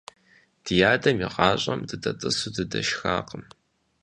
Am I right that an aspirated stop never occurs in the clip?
yes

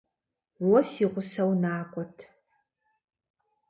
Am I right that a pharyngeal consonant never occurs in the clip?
yes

